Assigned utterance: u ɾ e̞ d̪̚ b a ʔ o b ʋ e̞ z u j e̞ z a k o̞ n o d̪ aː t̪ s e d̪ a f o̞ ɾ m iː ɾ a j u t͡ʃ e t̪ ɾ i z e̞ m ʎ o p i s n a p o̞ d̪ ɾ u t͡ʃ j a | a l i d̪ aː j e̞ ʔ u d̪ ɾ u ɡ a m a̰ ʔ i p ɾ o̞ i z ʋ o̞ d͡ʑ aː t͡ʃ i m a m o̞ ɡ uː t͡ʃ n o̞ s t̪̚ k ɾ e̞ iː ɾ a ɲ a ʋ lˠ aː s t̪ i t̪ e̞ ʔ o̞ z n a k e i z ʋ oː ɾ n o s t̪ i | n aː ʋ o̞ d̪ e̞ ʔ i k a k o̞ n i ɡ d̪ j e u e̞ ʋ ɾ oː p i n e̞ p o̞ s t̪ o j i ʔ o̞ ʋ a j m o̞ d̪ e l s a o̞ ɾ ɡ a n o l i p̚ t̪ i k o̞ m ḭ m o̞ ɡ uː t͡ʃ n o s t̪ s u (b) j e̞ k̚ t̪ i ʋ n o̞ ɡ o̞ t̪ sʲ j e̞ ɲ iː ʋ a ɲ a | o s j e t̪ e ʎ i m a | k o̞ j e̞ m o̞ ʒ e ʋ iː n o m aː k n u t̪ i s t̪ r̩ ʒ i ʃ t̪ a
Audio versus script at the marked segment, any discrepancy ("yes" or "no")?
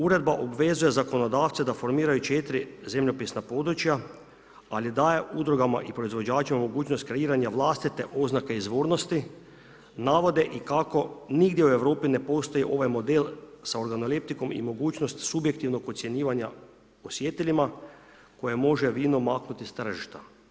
no